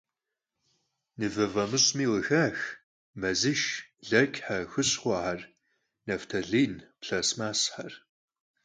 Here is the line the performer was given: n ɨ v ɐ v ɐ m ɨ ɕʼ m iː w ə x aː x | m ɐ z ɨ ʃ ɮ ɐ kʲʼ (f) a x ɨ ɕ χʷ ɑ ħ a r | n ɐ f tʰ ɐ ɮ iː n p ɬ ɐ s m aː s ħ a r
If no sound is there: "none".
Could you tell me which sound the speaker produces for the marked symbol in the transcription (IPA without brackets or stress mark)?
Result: ħ